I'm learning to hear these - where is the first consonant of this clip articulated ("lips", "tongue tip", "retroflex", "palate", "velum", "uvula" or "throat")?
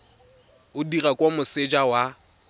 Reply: tongue tip